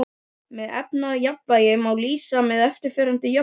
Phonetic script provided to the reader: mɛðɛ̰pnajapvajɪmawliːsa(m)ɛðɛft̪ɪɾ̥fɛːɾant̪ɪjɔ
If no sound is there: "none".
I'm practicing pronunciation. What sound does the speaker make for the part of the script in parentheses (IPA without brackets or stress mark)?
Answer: m